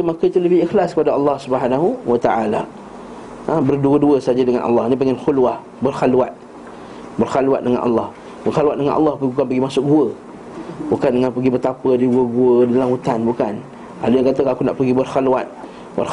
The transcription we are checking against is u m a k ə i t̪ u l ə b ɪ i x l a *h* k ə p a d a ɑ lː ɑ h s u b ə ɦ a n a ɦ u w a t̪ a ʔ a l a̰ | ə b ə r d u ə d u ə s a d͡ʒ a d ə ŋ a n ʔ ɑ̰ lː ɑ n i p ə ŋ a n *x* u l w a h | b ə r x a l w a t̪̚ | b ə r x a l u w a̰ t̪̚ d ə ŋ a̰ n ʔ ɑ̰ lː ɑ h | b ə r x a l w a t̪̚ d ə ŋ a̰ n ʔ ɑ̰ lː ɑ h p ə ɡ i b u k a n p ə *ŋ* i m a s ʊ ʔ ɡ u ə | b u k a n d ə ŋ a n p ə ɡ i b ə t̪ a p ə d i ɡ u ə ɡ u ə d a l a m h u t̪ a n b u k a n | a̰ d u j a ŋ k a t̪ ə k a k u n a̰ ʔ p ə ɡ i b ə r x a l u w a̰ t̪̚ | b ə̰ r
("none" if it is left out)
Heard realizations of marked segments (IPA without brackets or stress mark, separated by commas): s, x, ɡ